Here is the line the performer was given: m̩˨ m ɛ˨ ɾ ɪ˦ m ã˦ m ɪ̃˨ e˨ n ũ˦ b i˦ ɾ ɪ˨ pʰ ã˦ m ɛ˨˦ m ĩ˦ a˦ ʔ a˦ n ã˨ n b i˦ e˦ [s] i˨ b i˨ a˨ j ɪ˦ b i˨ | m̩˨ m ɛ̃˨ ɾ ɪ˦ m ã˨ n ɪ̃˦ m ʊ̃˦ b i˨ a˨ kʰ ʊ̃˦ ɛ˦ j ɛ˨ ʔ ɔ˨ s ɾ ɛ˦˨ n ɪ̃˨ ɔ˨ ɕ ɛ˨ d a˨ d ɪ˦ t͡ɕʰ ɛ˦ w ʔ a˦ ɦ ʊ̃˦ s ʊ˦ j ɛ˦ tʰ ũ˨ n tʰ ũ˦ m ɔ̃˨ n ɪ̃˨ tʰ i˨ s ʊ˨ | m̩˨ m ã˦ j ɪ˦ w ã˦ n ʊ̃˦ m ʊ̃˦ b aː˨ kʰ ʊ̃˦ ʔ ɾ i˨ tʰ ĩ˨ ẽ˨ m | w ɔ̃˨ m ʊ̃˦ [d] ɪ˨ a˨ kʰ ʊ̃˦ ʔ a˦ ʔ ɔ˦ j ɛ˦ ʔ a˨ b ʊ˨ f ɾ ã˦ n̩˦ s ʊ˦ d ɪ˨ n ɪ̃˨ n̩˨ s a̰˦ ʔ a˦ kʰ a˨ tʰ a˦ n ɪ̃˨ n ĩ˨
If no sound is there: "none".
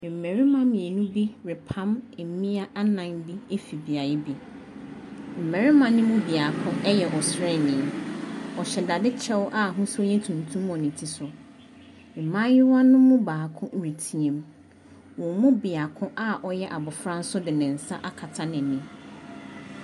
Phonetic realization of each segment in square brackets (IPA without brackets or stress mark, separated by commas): f, b